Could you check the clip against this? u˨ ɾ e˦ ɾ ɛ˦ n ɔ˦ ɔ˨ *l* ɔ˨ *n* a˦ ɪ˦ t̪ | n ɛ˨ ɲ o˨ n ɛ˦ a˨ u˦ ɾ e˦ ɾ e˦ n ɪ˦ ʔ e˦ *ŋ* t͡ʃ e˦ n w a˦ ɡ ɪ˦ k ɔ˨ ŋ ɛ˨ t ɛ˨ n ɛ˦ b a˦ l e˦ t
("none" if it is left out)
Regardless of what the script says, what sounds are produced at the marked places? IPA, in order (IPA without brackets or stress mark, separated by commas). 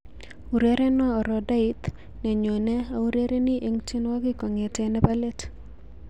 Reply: ɾ, d, ŋ